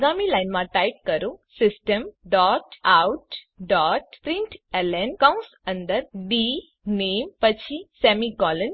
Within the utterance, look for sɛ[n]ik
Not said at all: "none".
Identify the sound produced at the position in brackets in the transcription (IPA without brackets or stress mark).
m